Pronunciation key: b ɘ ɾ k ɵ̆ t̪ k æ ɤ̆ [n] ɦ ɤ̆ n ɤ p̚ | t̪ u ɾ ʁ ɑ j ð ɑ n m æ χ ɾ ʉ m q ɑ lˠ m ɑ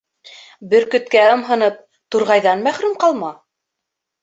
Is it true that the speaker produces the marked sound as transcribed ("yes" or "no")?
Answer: no